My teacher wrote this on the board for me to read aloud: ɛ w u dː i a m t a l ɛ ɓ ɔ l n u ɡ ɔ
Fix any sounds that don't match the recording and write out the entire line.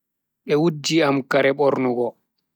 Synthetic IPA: ɛ w u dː i a m k a ɾ ɛ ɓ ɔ ɾ n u ɡ ɔ